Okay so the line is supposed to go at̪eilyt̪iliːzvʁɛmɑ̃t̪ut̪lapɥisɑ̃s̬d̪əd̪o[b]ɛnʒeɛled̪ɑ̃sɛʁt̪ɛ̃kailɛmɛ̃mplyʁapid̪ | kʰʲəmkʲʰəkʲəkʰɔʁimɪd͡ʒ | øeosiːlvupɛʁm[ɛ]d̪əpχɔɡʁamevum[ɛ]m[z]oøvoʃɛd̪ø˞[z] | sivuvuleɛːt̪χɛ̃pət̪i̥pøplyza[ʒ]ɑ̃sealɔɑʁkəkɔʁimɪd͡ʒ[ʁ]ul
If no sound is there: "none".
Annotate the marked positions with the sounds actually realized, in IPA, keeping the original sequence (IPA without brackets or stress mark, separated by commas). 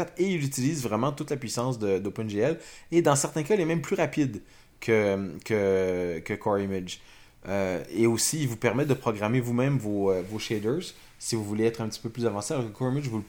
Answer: p, ɛ, ɛ̃, v, z, v, v